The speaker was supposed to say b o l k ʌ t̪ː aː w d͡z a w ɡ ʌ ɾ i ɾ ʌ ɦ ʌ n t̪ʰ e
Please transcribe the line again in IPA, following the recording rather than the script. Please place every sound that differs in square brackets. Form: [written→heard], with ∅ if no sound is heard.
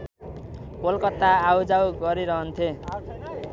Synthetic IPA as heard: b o l k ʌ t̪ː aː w d͡z a w ɡ ʌ ɾ i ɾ ʌ ɦ ʌ n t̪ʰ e

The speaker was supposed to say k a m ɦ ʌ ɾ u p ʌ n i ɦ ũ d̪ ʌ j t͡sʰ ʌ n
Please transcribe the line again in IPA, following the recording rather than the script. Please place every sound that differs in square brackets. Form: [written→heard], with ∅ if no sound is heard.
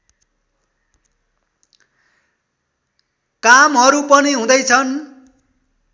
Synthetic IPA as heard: k a m ɦ ʌ ɾ u p ʌ n i ɦ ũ d̪ ʌ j t͡sʰ ʌ n

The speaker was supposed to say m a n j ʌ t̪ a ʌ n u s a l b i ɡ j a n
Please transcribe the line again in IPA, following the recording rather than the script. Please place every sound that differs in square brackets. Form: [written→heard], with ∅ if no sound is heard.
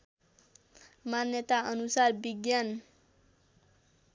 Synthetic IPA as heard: m a n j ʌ t̪ a ʌ n u s a [l→r] b i ɡ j a n

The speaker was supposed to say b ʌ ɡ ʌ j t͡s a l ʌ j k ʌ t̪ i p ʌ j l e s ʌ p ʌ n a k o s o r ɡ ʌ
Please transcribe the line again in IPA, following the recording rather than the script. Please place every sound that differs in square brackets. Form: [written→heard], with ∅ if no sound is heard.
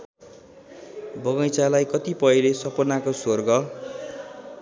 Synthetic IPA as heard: b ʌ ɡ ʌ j t͡s a l [ʌ→a] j k ʌ t̪ i p ʌ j l e s ʌ p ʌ n a k o s o r ɡ ʌ

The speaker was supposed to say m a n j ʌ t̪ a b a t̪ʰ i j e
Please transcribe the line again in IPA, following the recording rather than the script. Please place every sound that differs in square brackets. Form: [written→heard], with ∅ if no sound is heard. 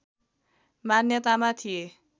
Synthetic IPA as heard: m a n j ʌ t̪ a [b→m] a t̪ʰ i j e

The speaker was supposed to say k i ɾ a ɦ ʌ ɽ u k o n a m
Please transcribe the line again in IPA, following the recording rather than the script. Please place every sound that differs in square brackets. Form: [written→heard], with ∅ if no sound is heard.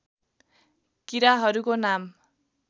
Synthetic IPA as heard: k i ɾ a ɦ ʌ [ɽ→ɾ] u k o n a m

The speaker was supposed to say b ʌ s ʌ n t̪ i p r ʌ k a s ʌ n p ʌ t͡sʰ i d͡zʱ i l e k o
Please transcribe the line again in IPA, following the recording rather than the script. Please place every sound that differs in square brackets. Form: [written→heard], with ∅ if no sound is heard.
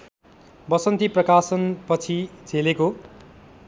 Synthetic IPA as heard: b ʌ s ʌ n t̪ i p r ʌ k a s ʌ n p ʌ t͡sʰ i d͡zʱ [i→e] l e k o

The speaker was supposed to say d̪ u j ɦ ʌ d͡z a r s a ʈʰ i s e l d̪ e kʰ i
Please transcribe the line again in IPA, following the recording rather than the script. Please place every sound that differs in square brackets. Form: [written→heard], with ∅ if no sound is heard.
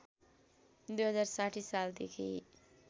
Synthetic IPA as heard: d̪ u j ɦ ʌ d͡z a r s a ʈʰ i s [e→a] l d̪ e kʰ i

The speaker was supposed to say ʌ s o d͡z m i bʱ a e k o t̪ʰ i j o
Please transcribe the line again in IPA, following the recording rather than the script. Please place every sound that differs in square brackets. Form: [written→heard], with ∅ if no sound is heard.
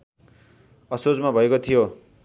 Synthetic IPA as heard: ʌ s o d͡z m [i→a] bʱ [a→ʌ] e k o t̪ʰ i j o

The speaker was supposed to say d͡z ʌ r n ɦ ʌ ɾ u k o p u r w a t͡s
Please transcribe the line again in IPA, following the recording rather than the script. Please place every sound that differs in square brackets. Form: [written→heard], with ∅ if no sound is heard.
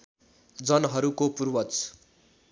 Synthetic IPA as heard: d͡z ʌ [r→∅] n ɦ ʌ ɾ u k o p u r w [a→ʌ] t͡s

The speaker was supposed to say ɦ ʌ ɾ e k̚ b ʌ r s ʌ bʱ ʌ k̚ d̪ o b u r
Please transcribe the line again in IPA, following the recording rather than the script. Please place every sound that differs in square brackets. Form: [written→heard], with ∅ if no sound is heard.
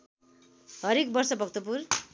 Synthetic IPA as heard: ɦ ʌ ɾ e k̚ b ʌ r s ʌ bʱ ʌ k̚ [d̪→t̪] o [b→p] u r

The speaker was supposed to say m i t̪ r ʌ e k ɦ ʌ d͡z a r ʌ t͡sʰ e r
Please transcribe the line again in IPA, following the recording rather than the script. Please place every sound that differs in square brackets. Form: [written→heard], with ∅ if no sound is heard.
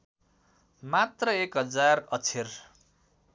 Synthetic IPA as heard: m [i→a] t̪ r ʌ e k ɦ ʌ d͡z a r ʌ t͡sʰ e r

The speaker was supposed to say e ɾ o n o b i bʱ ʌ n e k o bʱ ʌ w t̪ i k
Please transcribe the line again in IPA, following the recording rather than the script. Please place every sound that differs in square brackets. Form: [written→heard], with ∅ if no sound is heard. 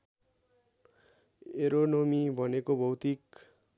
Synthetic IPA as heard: e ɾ o n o [b→m] i bʱ ʌ n e k o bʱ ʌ w t̪ i k

